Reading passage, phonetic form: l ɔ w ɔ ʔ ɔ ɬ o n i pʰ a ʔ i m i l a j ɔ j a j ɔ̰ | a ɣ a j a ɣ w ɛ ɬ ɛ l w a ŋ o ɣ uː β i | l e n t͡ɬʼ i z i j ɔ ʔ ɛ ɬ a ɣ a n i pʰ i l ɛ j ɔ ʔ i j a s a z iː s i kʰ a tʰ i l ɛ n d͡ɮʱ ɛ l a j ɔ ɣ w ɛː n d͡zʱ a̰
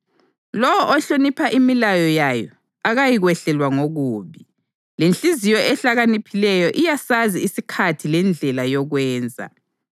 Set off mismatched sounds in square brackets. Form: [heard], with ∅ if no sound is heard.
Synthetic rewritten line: l ɔ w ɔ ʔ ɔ ɬ o n i pʰ a ʔ i m i l a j ɔ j a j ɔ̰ | a ɣ a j [i] ɣ w ɛ ɬ ɛ l w a ŋ o ɣ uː β i | l e n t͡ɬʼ i z i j ɔ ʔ ɛ ɬ a ɣ a n i pʰ i l ɛ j ɔ ʔ i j a s a z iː s i kʰ a tʰ i l ɛ n d͡ɮʱ ɛ l a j ɔ ɣ w ɛː n d͡zʱ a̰